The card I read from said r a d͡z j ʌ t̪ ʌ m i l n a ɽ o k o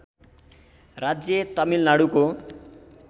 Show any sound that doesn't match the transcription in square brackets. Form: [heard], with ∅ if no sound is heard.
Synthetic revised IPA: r a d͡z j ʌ t̪ ʌ m i l n a ɽ [u] k o